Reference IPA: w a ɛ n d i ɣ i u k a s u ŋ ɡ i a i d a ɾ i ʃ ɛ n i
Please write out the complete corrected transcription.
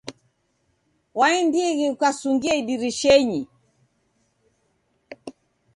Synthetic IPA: w a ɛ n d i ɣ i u k a s u ŋ ɡ i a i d i ɾ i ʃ ɛ ɲ i